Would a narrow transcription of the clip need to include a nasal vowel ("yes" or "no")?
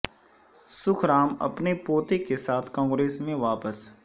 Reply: yes